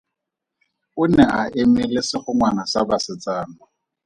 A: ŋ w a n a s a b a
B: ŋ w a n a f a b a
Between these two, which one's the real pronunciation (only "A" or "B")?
A